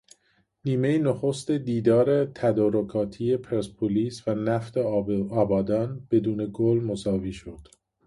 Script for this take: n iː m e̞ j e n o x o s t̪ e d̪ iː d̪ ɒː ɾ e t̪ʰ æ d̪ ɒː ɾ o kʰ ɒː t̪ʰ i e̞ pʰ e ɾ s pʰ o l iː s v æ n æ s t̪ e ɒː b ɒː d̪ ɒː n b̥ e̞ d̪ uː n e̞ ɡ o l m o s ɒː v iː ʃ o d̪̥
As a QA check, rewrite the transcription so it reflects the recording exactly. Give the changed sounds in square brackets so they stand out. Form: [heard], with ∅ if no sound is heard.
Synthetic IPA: n iː m e̞ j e n o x o s t̪ e d̪ iː d̪ ɒː ɾ e t̪ʰ æ d̪ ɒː ɾ o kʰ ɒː t̪ʰ i e̞ pʰ e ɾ s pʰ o l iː s v æ n æ [f] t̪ e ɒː b ɒː d̪ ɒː n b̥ e̞ d̪ uː n e̞ ɡ o l m o s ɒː v iː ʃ o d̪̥

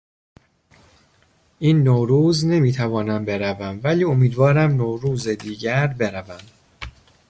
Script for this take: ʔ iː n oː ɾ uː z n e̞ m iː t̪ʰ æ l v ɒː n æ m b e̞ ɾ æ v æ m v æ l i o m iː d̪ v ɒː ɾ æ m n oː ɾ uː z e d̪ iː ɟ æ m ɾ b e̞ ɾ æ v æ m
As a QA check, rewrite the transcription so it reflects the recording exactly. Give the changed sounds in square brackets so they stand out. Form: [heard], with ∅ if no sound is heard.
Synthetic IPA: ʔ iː [nː] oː ɾ uː z n e̞ m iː t̪ʰ æ [∅] v ɒː n æ m b e̞ ɾ æ v æ m v æ l [iː] o m iː d̪ v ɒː ɾ æ m n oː ɾ uː z e d̪ iː ɟ æ [∅] ɾ b e̞ ɾ æ v æ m

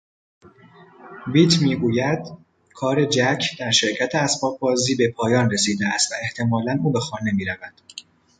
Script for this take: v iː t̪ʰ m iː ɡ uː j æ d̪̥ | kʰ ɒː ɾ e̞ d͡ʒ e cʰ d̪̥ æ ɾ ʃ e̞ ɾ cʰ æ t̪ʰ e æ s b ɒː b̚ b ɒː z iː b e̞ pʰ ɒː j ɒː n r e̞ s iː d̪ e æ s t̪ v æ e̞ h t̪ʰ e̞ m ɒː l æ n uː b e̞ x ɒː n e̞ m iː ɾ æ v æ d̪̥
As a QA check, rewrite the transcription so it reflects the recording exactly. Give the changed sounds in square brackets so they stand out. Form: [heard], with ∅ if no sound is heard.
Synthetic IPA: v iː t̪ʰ m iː ɡ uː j æ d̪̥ | kʰ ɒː ɾ e̞ d͡ʒ [æ] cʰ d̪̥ æ ɾ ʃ e̞ ɾ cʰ æ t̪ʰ e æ s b ɒː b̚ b ɒː z iː b e̞ pʰ ɒː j ɒː n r e̞ s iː d̪ e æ s t̪ v æ e̞ h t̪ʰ e̞ m ɒː l æ n uː b e̞ x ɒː n e̞ m iː ɾ æ v æ d̪̥

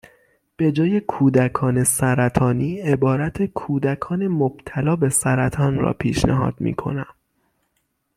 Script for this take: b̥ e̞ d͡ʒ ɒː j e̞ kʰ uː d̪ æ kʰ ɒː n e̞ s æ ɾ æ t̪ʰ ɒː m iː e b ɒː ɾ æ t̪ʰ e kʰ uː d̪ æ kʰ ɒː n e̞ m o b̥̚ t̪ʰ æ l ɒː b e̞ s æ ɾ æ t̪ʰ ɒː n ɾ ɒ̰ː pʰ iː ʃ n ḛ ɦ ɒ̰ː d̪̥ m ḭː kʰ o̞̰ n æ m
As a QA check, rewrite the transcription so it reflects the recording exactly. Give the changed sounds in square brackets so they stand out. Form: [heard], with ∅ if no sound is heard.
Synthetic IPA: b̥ e̞ d͡ʒ ɒː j e̞ kʰ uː d̪ æ kʰ ɒː n e̞ s æ ɾ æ t̪ʰ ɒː [n] iː e b ɒː ɾ æ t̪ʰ e kʰ uː d̪ æ kʰ ɒː n e̞ m o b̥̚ t̪ʰ æ l ɒː b e̞ s æ ɾ æ t̪ʰ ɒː n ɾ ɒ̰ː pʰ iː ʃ n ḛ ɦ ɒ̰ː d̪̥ m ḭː kʰ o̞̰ n æ m

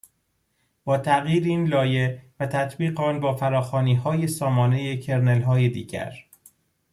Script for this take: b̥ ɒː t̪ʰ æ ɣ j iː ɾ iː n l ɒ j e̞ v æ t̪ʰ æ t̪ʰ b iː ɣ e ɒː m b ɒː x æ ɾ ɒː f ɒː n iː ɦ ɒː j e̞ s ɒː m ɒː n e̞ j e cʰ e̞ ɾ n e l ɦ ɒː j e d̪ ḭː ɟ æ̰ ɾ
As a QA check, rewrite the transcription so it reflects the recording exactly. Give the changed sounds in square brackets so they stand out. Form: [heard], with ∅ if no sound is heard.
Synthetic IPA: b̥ ɒː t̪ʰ æ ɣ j iː ɾ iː n l [ɒː] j e̞ v æ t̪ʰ æ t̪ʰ b iː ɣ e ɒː [n] b ɒː [f] æ ɾ ɒː [x] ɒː n iː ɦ ɒː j e̞ s ɒː m ɒː n e̞ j e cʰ e̞ ɾ n e l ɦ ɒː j e d̪ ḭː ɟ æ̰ ɾ

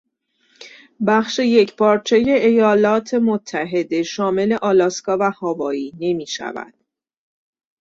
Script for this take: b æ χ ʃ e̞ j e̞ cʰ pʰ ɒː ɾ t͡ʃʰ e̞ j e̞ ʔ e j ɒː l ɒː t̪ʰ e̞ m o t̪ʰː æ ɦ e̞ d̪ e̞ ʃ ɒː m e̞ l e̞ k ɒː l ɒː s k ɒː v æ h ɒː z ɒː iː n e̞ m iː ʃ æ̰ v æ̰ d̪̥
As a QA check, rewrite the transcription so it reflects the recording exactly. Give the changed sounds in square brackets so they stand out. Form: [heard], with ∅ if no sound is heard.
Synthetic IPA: b æ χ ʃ e̞ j e̞ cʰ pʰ ɒː ɾ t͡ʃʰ e̞ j e̞ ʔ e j ɒː l ɒː t̪ʰ e̞ m o t̪ʰː æ ɦ e̞ d̪ e̞ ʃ ɒː m e̞ l e̞ [ʔ] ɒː l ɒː s k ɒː v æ h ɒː [v] ɒː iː n e̞ m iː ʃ æ̰ v æ̰ d̪̥

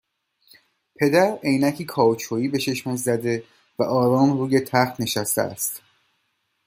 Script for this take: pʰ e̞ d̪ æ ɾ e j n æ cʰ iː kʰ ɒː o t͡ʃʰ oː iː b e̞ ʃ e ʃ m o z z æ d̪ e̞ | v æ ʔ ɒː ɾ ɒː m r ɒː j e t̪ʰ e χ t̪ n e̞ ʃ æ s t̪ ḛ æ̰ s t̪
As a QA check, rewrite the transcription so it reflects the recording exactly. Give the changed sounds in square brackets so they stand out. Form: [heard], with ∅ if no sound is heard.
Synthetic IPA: pʰ e̞ d̪ æ ɾ e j n æ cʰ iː kʰ ɒː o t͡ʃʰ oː iː b e̞ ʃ e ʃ m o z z æ d̪ e̞ | v æ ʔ ɒː ɾ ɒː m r [uː] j e t̪ʰ [æ] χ t̪ n e̞ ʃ æ s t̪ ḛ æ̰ s t̪

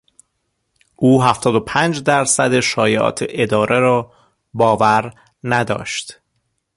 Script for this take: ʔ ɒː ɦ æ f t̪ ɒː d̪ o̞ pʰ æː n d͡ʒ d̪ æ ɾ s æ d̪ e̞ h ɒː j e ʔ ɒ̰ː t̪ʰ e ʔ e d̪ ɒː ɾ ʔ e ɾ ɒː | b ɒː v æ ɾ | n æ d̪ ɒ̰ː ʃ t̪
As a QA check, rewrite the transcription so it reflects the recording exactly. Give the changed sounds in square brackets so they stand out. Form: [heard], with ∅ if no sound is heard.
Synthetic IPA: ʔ [uː] ɦ æ f t̪ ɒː d̪ o̞ pʰ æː n d͡ʒ d̪ æ ɾ s æ d̪ e̞ [ʃ] ɒː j e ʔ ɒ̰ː t̪ʰ e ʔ e d̪ ɒː ɾ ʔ e ɾ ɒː | b ɒː v æ ɾ | n æ d̪ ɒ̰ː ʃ t̪

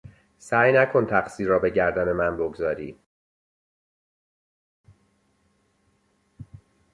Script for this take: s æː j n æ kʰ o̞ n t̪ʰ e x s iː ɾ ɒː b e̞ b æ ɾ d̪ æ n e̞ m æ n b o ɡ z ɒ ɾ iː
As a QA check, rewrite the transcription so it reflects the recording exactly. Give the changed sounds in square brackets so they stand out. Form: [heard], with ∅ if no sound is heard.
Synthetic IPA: s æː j n æ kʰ o̞ n t̪ʰ [æ] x s iː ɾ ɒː b e̞ [ɟ] æ ɾ d̪ æ n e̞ m æ n b o ɡ z [ɒː] ɾ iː

